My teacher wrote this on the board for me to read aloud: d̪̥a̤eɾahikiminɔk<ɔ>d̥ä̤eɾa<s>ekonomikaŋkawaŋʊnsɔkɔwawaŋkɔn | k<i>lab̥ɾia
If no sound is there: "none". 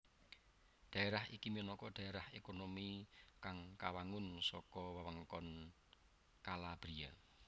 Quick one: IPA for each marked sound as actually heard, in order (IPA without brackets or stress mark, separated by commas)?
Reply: ɔ, h, a